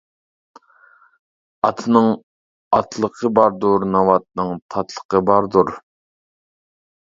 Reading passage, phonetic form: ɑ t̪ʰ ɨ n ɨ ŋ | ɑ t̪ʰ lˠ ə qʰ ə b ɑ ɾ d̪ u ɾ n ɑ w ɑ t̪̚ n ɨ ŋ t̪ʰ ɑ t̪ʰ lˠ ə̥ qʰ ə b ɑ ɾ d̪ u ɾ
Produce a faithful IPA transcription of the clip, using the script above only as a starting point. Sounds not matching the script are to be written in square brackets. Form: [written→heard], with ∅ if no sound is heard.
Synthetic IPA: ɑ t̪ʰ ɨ n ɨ ŋ | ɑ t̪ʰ lˠ ə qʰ ə b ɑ ɾ d̪ u ɾ n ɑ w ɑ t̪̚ n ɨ ŋ t̪ʰ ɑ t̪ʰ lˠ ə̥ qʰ ə b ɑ ɾ d̪ u ɾ